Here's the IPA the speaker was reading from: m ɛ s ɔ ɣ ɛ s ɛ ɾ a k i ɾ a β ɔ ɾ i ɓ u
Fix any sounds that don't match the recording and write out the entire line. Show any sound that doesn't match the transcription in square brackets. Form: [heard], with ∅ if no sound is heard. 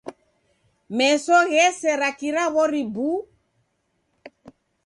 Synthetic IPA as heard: m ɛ s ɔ ɣ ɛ s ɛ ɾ a k i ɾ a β ɔ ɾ i [b] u